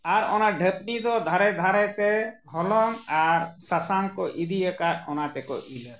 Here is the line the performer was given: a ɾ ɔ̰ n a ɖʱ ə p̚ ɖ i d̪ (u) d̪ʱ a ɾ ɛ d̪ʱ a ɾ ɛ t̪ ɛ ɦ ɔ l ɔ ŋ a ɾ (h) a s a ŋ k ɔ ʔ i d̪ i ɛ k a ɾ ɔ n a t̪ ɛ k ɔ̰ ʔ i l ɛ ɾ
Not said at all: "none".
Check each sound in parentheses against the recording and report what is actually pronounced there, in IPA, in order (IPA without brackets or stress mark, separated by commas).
ɔ, s